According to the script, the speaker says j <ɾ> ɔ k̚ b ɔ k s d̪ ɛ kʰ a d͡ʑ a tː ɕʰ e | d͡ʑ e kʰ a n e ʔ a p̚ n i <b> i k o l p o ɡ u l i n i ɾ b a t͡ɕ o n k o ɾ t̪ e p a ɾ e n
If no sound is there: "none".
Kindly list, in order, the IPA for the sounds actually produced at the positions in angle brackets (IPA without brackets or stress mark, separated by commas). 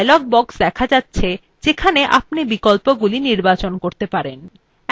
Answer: l, b